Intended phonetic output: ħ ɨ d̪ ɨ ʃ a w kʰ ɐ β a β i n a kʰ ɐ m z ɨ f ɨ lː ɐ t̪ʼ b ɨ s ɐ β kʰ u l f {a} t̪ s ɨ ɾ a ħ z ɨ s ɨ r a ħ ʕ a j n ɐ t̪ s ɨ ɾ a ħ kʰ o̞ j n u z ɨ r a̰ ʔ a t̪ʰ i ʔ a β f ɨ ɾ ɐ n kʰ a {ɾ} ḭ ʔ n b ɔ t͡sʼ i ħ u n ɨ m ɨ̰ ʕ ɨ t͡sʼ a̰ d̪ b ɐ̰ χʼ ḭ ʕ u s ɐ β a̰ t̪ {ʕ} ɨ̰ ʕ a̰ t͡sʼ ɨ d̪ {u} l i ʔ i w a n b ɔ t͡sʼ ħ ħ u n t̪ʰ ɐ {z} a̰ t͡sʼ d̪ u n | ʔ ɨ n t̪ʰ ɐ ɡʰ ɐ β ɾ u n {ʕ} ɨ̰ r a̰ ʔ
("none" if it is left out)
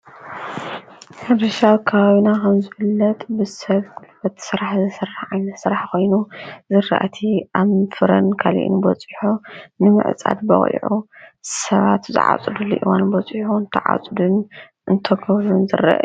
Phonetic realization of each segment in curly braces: ɐ, l, z, u, ʕ, z

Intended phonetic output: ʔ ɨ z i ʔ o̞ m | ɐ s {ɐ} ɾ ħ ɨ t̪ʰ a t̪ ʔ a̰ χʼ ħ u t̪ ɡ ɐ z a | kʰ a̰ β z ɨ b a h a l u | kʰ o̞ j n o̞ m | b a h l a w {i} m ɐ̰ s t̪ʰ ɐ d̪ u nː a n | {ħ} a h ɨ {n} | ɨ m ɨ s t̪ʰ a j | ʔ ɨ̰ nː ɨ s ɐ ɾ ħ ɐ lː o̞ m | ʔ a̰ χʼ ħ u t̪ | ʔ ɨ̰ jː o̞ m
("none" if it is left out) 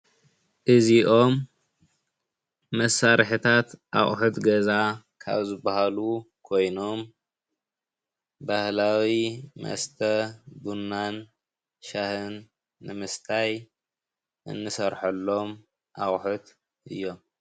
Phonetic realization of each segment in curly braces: a, i, ʃ, nː

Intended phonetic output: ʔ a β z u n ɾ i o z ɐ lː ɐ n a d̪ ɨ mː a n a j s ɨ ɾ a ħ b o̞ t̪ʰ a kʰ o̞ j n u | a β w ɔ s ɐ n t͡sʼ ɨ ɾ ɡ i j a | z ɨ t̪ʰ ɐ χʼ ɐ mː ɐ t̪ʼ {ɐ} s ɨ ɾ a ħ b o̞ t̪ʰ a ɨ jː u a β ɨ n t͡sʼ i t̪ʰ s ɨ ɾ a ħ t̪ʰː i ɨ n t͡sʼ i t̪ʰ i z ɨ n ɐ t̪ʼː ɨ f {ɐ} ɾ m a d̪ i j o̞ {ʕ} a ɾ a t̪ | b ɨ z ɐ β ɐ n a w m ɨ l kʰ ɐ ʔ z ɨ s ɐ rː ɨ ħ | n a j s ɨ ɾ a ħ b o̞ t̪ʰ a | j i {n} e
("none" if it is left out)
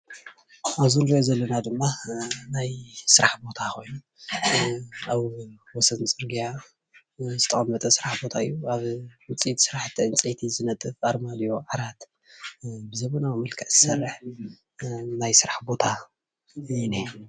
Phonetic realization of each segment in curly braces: ɐ, a, ʕ, n

